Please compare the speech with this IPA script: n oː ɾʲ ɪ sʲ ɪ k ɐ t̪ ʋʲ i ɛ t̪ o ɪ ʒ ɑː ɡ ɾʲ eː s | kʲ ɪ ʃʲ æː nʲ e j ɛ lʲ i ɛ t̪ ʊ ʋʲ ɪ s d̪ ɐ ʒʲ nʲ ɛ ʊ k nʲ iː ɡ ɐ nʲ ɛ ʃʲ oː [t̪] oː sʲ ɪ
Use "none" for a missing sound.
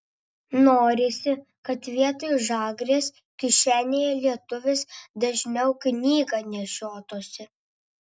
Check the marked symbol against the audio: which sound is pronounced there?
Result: t̪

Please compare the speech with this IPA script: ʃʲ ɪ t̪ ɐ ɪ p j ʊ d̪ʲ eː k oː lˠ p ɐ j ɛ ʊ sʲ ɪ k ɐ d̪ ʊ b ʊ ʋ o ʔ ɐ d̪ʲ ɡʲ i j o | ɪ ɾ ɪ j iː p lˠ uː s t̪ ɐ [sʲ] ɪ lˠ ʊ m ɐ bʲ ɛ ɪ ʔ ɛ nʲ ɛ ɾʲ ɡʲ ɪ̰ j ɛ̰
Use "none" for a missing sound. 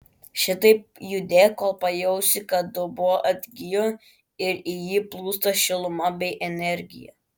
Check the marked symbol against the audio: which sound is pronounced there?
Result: ʃʲ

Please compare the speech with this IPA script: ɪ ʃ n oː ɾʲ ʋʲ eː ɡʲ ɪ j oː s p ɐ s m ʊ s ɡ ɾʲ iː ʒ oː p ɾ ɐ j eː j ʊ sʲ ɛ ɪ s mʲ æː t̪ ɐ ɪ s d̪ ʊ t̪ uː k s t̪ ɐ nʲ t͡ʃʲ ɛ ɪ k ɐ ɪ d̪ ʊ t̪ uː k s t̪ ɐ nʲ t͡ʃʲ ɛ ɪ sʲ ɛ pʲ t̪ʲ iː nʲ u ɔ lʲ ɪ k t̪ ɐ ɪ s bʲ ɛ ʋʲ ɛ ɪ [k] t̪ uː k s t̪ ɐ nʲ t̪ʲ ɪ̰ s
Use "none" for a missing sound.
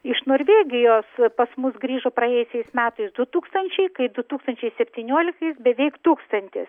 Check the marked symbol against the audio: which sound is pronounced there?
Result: k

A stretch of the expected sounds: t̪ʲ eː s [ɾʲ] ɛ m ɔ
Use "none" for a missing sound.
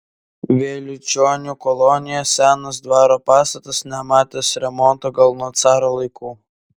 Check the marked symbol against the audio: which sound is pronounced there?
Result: ɾʲ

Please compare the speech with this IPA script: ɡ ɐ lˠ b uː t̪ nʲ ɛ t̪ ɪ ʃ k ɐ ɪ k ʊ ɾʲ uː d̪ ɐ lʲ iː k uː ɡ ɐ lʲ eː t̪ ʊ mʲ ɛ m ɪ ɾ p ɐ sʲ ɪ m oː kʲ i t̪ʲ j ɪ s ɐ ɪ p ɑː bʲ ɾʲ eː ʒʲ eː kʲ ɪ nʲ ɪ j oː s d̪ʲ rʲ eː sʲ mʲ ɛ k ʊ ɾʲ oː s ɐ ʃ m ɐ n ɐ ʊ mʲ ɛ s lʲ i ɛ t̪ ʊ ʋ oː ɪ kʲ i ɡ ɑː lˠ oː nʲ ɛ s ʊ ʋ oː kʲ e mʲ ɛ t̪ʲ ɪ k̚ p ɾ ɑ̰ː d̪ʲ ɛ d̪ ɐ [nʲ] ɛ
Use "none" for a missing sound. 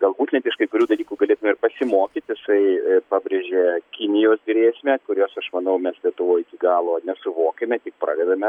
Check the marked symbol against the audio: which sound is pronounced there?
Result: mʲ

